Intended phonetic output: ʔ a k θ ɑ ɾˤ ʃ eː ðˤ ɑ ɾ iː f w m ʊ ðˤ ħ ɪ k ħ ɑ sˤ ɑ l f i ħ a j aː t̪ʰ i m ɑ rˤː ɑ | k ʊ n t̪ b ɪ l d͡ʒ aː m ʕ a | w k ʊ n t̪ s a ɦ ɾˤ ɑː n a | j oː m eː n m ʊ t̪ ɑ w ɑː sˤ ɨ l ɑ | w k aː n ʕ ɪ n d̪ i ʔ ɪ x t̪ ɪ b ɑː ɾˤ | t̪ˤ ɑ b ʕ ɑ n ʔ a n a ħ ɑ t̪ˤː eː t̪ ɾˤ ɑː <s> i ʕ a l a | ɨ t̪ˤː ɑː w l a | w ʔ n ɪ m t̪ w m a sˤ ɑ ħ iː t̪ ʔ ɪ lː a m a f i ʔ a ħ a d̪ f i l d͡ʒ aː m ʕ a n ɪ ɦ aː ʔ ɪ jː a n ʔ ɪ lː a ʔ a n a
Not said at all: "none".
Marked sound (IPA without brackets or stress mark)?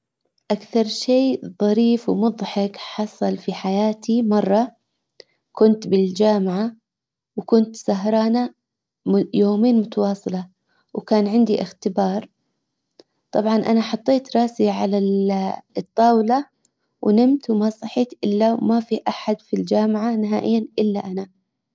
s